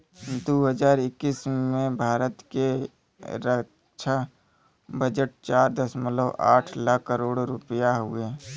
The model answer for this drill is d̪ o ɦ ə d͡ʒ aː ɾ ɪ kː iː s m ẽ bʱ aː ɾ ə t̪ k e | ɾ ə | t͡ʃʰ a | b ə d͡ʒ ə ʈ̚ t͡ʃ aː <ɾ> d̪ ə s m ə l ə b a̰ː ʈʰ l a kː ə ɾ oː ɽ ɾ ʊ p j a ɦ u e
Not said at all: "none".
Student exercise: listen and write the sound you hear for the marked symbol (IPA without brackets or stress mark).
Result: ɾ